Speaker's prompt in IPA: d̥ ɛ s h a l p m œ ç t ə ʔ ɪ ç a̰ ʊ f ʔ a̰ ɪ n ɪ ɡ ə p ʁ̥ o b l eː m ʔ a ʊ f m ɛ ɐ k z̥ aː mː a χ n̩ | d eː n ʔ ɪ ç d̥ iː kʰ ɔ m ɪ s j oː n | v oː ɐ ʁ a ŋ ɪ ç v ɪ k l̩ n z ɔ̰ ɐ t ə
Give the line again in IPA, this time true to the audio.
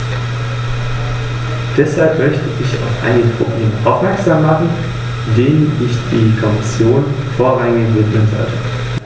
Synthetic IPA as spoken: d̥ ɛ s h a l p m œ ç t ə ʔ ɪ ç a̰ ʊ f ʔ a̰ ɪ n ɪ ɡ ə p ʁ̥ o b l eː m ʔ a ʊ f m ɛ ɐ k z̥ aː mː a χ n̩ | d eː n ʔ ɪ ç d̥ iː kʰ ɔ m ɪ s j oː n | f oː ɐ ʁ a ŋ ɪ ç v ɪ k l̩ n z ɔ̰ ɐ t ə